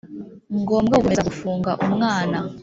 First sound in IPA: ŋ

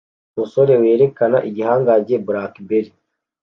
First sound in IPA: m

